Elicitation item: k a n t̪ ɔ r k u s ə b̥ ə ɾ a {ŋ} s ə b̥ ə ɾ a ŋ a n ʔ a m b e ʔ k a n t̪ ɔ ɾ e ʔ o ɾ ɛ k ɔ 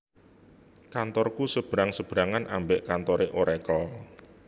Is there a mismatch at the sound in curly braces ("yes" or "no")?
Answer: no